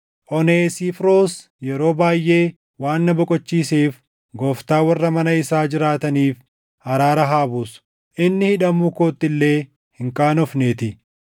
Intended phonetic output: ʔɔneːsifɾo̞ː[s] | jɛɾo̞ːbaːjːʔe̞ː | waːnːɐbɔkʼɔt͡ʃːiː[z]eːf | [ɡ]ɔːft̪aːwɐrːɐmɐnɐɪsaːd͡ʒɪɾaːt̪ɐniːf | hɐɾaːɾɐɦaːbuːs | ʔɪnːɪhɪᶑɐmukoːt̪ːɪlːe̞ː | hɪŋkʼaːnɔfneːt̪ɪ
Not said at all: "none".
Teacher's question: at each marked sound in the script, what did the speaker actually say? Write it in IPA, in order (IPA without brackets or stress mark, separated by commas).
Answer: s, s, ɡ